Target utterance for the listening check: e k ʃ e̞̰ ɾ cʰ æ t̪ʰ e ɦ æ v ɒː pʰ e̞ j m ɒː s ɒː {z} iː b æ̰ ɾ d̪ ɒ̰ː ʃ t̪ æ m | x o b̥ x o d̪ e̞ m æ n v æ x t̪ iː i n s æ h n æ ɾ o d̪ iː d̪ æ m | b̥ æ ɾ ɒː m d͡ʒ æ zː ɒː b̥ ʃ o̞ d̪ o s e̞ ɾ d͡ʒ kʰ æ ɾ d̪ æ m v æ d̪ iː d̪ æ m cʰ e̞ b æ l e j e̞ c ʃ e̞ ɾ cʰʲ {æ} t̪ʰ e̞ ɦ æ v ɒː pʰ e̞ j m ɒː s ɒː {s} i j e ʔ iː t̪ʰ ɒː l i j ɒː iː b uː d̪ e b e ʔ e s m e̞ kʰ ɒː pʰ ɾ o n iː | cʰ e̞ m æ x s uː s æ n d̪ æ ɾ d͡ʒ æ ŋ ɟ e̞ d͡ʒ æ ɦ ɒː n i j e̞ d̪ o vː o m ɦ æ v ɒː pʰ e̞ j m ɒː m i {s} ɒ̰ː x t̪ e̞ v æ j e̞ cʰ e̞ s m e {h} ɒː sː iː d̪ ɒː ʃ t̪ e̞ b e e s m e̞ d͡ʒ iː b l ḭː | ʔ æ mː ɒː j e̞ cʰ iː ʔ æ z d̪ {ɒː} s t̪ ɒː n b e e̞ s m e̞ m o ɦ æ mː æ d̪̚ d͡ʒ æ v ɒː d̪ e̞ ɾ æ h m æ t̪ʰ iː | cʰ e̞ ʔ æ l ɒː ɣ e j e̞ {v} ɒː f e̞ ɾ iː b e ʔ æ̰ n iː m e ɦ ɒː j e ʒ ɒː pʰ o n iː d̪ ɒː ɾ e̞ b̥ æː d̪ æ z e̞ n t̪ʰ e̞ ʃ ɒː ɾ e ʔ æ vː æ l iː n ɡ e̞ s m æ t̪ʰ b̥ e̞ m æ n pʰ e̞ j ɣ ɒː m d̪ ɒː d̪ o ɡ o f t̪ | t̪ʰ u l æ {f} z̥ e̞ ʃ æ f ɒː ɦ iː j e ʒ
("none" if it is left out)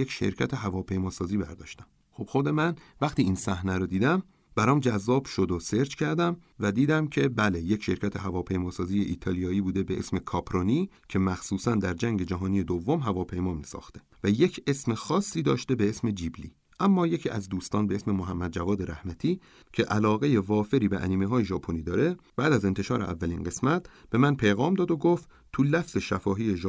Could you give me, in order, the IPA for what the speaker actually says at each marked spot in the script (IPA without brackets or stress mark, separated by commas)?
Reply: z, æ, z, s, x, uː, v, f